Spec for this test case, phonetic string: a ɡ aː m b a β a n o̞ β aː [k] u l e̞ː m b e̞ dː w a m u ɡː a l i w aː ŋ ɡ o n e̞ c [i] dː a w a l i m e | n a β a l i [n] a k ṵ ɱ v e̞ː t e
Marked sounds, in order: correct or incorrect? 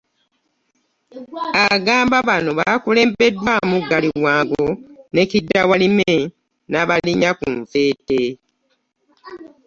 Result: correct, correct, incorrect

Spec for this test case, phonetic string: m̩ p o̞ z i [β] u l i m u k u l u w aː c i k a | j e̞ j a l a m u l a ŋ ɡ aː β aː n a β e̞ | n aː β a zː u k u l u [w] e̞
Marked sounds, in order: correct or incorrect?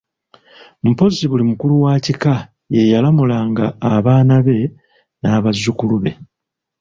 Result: correct, incorrect

